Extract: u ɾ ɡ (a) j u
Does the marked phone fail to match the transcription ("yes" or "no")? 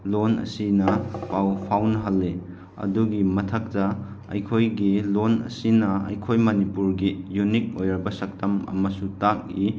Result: yes